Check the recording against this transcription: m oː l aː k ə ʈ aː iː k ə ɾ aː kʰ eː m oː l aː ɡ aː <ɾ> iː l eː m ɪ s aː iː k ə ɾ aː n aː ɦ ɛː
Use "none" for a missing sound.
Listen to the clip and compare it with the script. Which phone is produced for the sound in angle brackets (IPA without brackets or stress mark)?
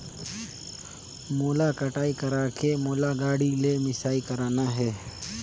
ɽ